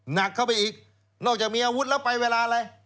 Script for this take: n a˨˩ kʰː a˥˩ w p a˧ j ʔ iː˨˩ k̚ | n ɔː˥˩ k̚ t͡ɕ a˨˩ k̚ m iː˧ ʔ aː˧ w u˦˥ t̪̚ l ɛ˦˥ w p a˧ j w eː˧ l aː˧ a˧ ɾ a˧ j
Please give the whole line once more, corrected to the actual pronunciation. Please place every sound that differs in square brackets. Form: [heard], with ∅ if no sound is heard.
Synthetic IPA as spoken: n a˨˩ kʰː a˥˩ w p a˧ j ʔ iː˨˩ k̚ | n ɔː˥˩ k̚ t͡ɕ a˨˩ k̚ m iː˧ ʔ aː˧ w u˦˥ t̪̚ l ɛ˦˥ w p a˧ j w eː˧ l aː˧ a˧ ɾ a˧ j